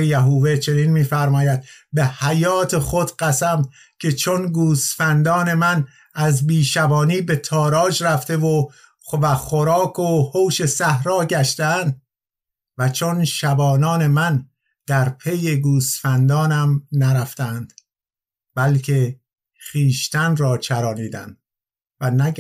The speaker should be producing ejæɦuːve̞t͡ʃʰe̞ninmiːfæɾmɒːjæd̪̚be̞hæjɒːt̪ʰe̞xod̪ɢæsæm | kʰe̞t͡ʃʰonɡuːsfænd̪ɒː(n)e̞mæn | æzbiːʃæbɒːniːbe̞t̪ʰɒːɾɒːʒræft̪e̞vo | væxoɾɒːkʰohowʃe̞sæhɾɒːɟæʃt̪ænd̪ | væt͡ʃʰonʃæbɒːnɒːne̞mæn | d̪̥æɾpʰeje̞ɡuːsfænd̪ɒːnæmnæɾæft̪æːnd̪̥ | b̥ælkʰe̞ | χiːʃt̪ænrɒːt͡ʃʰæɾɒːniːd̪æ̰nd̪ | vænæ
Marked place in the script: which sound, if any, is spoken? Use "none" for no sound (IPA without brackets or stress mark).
n